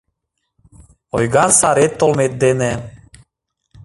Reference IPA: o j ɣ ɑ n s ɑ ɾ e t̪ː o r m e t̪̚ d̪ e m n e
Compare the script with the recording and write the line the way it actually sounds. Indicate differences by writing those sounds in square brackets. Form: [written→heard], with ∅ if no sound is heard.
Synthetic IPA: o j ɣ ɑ n s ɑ ɾ e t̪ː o [r→l] m e t̪̚ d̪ e [m→∅] n e

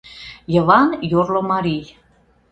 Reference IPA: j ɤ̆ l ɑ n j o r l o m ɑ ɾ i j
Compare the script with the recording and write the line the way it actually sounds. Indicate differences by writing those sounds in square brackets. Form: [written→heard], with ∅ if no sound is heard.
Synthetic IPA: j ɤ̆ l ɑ n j o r l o m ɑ ɾ i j

